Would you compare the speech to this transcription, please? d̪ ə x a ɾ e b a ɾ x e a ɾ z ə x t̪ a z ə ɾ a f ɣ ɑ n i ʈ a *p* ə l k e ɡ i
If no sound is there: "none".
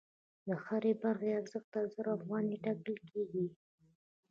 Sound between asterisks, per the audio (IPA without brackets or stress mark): k